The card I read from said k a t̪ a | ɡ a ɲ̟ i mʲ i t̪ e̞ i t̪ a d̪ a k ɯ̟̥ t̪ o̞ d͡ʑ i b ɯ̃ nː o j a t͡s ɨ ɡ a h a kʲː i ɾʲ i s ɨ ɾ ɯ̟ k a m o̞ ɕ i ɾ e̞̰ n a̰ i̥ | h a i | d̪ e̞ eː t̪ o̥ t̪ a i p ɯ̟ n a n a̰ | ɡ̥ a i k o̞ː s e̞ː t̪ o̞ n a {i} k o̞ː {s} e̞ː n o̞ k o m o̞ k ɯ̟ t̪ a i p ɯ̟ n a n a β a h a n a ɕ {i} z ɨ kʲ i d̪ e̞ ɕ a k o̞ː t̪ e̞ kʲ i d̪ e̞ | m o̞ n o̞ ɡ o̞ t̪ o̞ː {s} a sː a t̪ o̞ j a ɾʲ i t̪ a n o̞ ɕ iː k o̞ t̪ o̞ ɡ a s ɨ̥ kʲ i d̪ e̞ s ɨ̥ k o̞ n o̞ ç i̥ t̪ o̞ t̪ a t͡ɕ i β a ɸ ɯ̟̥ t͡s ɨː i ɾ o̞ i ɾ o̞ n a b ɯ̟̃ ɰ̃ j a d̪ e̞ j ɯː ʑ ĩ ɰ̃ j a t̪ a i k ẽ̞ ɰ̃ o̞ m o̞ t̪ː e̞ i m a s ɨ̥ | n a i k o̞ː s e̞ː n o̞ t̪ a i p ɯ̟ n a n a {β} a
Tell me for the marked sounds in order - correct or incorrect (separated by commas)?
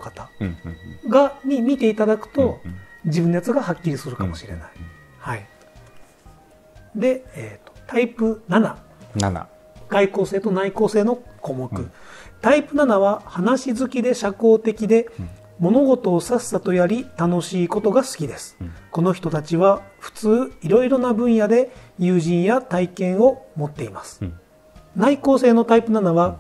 correct, correct, correct, correct, correct